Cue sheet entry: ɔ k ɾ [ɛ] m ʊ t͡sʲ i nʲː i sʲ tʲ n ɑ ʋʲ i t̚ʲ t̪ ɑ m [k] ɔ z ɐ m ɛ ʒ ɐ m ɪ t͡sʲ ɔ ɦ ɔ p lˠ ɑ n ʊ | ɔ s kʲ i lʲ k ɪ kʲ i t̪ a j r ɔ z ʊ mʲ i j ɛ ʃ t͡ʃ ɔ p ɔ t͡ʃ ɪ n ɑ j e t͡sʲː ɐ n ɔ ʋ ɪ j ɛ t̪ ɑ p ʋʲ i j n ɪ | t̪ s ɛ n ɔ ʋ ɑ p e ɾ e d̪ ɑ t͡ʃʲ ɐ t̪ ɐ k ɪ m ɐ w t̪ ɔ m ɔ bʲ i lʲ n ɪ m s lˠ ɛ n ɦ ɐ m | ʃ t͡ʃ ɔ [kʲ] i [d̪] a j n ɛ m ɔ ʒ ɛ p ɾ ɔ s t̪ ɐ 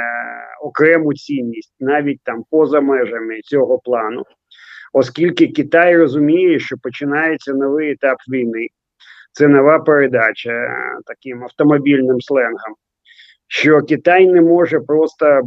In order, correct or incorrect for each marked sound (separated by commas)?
correct, incorrect, correct, incorrect